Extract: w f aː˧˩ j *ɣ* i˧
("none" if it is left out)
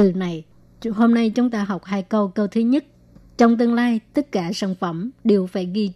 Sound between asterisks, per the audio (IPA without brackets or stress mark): ɣ